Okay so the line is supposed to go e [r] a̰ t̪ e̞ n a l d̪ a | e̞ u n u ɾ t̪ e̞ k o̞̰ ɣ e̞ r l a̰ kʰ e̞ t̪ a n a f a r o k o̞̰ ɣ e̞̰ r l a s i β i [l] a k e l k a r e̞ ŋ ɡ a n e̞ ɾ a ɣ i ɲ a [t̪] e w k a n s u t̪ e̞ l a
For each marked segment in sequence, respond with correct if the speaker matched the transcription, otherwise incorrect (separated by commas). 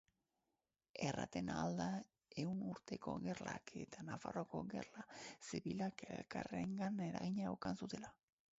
correct, correct, incorrect